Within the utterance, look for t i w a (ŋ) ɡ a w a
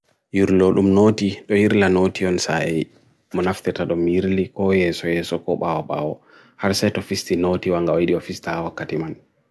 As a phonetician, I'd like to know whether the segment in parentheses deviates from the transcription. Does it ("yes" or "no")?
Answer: no